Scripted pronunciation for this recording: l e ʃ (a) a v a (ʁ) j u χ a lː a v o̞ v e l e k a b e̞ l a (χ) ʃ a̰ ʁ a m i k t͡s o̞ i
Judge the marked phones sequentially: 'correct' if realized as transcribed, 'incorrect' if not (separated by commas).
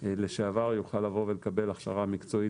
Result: incorrect, correct, correct